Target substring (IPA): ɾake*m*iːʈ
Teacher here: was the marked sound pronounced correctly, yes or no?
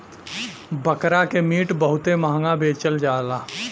yes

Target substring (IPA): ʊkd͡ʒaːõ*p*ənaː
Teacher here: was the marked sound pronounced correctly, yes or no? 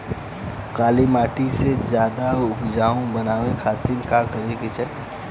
no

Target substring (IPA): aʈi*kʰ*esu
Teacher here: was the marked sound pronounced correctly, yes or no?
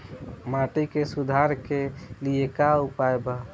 no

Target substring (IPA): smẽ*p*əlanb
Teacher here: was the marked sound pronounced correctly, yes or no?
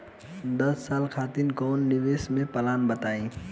yes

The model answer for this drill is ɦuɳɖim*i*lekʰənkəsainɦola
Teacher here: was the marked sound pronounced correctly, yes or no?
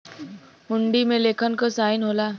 no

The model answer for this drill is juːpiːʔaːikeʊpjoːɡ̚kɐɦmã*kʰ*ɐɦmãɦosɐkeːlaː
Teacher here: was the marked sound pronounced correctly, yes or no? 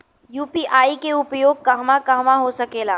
no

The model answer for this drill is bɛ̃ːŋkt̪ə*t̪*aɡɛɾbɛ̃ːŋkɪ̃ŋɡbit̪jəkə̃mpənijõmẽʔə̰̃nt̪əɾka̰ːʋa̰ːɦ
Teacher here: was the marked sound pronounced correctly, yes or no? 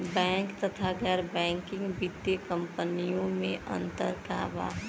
no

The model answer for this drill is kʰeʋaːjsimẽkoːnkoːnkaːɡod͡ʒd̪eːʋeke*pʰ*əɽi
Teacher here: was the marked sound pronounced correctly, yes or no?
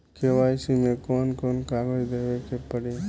no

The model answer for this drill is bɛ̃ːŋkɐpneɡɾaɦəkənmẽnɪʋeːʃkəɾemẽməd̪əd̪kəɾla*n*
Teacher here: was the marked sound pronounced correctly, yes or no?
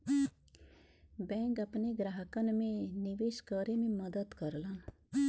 yes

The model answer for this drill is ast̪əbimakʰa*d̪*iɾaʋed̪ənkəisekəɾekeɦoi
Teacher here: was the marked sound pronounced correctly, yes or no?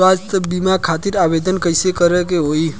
no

